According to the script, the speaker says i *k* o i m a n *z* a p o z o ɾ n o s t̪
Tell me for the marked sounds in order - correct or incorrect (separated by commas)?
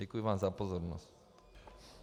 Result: correct, correct